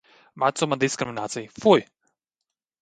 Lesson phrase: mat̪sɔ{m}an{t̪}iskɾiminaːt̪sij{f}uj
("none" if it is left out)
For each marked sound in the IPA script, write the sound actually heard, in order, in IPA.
m, d̪, f

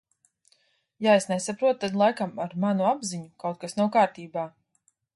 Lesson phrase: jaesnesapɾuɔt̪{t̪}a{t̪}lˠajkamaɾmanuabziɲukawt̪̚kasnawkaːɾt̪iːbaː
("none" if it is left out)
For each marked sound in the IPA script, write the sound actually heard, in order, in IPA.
t̪, d̪

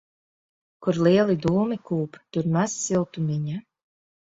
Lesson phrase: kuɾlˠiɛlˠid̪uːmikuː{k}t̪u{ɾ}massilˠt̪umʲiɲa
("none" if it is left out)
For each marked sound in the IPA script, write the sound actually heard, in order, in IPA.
p, ɾ

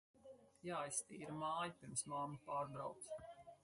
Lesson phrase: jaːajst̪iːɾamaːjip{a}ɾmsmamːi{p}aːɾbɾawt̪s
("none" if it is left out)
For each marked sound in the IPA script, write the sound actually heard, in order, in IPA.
i, p

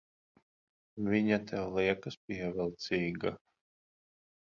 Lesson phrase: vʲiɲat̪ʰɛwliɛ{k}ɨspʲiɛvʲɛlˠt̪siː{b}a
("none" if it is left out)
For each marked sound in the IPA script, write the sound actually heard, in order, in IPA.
k, ɡ

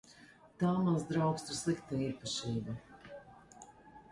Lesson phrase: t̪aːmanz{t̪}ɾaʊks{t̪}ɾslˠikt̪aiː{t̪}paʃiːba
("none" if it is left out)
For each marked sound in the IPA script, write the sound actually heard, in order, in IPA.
d̪, t̪, none

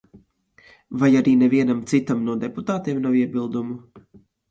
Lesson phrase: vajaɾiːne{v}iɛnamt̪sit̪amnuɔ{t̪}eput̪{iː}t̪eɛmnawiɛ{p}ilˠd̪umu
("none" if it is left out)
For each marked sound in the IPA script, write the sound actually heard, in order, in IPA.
v, d̪, aː, b

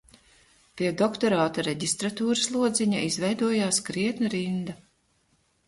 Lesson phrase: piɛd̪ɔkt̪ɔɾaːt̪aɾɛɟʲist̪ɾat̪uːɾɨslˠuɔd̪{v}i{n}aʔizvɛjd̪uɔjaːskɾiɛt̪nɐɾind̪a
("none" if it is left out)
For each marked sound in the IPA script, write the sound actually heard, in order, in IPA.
z, ɲ

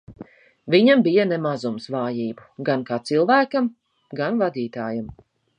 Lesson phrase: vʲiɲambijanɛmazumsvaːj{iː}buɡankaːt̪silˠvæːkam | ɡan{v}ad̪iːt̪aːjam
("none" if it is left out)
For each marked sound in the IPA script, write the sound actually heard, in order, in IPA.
iː, v

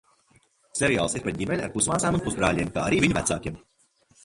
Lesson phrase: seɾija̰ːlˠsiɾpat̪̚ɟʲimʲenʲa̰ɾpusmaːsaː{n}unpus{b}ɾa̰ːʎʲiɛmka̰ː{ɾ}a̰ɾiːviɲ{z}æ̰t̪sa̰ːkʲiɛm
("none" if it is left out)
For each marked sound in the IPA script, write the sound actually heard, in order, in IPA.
m, b, none, v

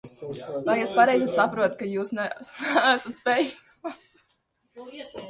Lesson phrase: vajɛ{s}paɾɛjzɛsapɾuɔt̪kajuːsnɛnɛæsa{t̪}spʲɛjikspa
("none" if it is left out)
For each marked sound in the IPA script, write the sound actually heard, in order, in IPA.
s, t̪

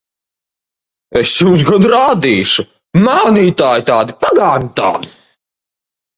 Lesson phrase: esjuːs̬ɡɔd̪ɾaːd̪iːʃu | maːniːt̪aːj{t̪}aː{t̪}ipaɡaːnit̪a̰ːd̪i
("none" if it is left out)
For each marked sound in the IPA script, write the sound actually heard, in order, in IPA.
t̪, d̪

